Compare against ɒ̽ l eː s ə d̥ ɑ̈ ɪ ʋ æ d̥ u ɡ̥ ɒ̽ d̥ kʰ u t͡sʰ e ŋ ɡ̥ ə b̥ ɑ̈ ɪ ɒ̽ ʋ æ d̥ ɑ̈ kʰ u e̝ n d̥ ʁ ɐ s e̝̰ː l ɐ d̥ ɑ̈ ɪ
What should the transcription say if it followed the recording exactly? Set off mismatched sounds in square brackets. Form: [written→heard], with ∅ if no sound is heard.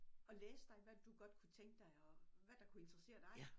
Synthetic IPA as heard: ɒ̽ l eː s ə d̥ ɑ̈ ɪ ʋ æ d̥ u ɡ̥ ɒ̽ d̥ kʰ u t͡sʰ e ŋ ɡ̥ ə [b̥→d̥] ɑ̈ ɪ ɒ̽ ʋ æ d̥ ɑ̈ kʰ u e̝ n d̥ ʁ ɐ s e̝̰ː [l→∅] ɐ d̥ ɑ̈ ɪ